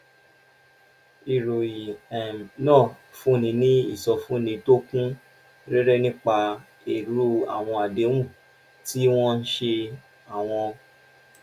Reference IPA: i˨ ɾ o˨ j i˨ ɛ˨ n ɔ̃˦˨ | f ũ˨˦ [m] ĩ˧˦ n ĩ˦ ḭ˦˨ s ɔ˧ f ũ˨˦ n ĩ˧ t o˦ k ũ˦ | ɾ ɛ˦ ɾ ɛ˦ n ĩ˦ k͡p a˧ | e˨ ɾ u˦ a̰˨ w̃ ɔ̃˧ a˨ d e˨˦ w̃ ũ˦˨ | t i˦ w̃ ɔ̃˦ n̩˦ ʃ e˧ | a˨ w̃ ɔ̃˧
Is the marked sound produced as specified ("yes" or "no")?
no